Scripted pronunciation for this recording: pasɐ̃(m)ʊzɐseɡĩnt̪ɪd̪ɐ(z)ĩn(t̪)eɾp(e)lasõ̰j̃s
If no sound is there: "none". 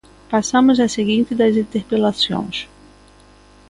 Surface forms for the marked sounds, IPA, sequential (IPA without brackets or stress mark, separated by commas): m, z, t̪, e